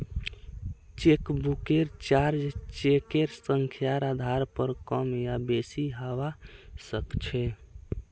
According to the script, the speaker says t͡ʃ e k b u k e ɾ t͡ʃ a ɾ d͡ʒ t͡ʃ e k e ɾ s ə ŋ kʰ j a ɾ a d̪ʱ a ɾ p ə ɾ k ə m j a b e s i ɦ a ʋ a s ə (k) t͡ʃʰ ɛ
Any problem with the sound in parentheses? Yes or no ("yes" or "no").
no